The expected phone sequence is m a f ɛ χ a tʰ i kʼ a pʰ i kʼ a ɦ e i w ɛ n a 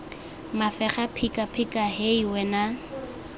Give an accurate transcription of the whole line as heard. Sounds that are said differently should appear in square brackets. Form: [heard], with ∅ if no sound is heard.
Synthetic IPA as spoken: m a f ɛ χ a [pʰ] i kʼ a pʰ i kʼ a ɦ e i w ɛ n a